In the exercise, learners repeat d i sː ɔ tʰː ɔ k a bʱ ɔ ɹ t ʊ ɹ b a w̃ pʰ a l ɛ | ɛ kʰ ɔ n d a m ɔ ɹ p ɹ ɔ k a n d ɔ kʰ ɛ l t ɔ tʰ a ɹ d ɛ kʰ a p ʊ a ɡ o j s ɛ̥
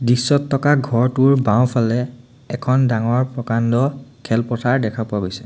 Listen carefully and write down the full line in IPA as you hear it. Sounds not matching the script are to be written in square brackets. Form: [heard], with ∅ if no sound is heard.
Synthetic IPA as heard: d i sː ɔ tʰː ɔ k a [ɡʱ] ɔ ɹ t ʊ ɹ b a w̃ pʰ a l ɛ | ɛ kʰ ɔ n d a [ŋ] ɔ ɹ p ɹ ɔ k a n d ɔ kʰ ɛ l [p] ɔ tʰ a ɹ d ɛ kʰ a p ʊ a ɡ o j s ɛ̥